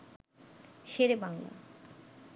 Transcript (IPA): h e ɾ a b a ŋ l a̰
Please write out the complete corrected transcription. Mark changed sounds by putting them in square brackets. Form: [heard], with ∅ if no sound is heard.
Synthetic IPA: [ʃ] e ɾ [e] b a ŋ l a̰